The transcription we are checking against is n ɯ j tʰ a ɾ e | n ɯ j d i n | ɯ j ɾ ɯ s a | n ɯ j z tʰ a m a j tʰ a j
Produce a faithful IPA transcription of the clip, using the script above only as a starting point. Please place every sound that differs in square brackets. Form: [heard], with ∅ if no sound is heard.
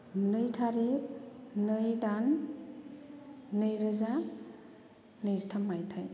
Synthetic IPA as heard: n ɯ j tʰ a ɾ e | n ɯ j d [a] n | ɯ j ɾ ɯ [z] a | n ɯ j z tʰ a m a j tʰ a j